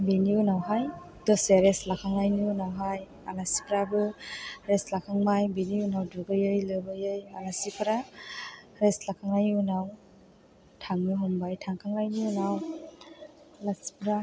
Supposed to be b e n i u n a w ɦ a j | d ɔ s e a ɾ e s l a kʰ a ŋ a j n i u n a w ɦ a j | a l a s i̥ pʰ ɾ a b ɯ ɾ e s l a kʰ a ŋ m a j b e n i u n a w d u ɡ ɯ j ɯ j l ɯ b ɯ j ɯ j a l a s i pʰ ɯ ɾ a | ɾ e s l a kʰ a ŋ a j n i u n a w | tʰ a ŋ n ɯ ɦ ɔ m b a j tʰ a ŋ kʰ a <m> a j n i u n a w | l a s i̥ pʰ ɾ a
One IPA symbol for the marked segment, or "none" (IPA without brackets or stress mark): ŋ